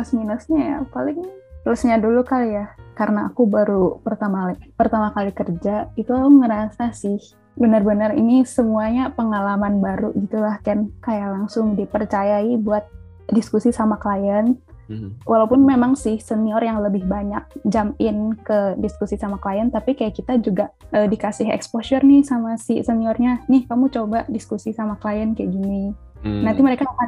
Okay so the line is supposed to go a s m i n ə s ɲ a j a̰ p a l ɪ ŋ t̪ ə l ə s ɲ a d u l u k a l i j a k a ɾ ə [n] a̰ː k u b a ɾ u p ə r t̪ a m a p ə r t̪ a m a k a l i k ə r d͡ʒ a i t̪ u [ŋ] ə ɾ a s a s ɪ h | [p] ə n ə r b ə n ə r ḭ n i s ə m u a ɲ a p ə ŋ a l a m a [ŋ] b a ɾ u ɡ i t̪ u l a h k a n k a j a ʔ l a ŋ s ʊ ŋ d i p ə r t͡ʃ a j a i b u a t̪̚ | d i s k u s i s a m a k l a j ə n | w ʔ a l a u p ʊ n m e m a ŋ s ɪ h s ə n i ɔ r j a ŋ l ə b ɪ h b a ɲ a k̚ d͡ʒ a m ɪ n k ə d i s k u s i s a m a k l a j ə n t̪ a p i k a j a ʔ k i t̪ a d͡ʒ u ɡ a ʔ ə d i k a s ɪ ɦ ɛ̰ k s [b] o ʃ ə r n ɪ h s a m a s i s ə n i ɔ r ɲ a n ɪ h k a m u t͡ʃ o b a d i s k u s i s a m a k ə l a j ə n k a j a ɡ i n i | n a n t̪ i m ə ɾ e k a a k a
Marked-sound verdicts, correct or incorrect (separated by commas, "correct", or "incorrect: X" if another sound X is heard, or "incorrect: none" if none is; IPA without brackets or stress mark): correct, correct, incorrect: b, incorrect: n, incorrect: p